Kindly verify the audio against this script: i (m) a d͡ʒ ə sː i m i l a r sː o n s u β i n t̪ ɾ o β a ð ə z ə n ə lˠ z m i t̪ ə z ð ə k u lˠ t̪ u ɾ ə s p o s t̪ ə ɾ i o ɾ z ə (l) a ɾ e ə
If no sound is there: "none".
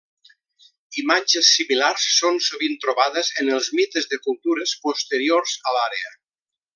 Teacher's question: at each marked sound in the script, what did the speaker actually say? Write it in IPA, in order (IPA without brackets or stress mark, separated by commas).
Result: m, l